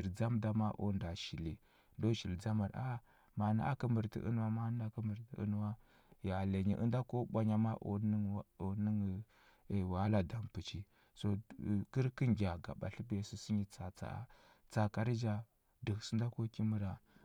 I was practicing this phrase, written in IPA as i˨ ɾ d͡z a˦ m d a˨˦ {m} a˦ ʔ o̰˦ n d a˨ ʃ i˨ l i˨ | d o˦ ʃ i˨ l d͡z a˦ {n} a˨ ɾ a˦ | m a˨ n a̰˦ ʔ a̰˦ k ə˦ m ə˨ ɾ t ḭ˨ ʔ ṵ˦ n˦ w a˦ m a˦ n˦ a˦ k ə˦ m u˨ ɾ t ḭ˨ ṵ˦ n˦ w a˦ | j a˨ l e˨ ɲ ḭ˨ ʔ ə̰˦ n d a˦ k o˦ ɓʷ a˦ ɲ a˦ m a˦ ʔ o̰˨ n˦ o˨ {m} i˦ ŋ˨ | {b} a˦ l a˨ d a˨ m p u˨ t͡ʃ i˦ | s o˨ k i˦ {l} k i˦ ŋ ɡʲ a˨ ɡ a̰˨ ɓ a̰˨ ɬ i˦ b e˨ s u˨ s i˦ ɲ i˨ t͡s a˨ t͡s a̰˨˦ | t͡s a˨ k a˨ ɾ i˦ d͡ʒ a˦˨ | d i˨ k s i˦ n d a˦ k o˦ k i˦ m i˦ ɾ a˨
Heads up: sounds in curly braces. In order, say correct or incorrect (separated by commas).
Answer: correct, incorrect, incorrect, incorrect, incorrect